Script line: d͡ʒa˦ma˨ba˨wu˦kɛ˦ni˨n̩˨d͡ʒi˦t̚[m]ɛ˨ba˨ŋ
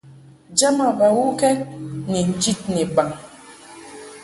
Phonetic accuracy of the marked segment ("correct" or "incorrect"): incorrect